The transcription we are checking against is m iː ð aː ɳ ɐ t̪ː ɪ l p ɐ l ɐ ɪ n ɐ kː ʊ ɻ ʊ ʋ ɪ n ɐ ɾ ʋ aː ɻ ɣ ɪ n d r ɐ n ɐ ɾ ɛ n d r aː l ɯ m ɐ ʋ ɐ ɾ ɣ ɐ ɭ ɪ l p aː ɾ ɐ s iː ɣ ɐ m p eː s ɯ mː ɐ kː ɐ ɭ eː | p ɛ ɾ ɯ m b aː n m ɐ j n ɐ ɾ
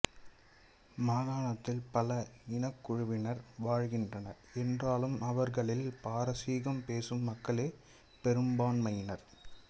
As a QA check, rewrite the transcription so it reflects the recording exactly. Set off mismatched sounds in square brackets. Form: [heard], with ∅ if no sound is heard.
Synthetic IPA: m [aː] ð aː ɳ ɐ t̪ː ɪ l p ɐ l ɐ ɪ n ɐ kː ʊ ɻ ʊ ʋ ɪ n ɐ ɾ ʋ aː ɻ ɣ ɪ n d r ɐ n ɐ ɾ ɛ n d r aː l ɯ m ɐ ʋ ɐ ɾ ɣ ɐ ɭ ɪ l p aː ɾ ɐ s iː ɣ ɐ m p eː s ɯ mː ɐ kː ɐ ɭ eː | p ɛ ɾ ɯ m b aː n m ɐ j n ɐ ɾ